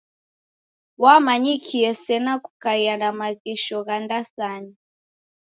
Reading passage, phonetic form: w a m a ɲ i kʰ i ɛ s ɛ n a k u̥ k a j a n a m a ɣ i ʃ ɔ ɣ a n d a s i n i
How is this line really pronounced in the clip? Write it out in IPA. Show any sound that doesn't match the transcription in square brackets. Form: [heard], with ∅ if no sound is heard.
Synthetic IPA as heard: w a m a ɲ i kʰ i ɛ s ɛ n a k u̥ k a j a n a m a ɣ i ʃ ɔ ɣ a n d a s [a] n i